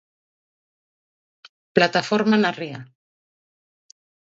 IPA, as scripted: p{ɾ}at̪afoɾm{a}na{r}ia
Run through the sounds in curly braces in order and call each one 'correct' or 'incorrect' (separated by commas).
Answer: incorrect, correct, correct